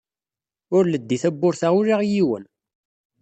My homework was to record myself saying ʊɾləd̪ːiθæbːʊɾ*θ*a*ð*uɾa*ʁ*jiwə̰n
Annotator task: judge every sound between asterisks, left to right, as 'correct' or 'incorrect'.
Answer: correct, incorrect, correct

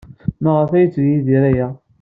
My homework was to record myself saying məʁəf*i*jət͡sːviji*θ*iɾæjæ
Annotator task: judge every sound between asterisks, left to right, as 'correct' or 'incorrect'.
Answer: incorrect, incorrect

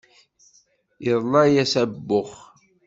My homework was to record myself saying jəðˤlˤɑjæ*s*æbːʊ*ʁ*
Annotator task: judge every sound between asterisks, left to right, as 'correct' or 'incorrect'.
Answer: correct, incorrect

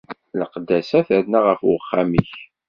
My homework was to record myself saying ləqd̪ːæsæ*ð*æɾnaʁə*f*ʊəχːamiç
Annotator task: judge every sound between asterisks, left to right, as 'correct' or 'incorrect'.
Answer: incorrect, correct

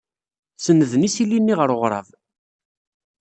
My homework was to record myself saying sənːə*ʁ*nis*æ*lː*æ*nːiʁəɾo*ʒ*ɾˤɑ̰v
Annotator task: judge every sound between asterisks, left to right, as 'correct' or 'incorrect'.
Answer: incorrect, incorrect, incorrect, incorrect

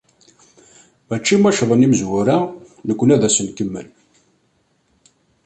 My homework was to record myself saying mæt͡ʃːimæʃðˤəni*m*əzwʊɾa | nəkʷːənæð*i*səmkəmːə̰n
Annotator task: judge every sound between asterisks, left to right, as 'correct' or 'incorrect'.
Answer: correct, incorrect

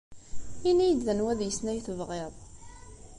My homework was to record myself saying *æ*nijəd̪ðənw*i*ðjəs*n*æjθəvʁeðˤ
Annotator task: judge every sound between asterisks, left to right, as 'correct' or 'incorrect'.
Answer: incorrect, incorrect, correct

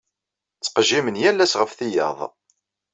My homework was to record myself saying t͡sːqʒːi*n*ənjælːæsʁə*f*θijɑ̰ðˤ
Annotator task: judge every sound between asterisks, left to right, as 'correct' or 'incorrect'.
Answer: incorrect, correct

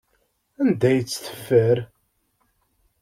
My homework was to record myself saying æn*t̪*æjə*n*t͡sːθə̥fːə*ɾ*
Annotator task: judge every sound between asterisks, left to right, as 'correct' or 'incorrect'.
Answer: incorrect, incorrect, correct

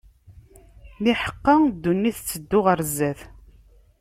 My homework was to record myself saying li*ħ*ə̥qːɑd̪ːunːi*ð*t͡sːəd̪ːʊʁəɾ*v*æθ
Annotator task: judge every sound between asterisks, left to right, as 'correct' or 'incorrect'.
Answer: correct, incorrect, incorrect

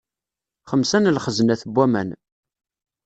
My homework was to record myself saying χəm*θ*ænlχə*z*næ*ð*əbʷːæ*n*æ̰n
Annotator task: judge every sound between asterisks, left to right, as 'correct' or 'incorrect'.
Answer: incorrect, correct, incorrect, incorrect

